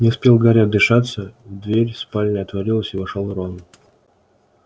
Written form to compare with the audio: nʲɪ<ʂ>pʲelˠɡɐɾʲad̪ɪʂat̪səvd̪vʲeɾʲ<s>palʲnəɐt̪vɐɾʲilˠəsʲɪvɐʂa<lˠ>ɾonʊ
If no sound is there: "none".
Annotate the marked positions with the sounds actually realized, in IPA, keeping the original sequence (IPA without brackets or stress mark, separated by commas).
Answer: s, s, lˠ